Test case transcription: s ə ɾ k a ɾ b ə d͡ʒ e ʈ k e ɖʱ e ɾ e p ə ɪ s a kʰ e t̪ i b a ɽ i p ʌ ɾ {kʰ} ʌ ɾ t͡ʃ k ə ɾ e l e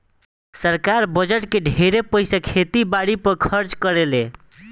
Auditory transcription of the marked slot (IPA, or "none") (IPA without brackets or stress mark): kʰ